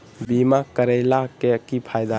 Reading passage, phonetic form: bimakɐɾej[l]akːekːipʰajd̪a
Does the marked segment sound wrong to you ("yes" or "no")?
no